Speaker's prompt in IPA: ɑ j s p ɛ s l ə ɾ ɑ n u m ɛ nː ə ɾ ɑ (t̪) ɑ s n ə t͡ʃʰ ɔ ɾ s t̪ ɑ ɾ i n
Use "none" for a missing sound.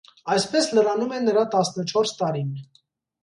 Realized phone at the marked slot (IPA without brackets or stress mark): t̪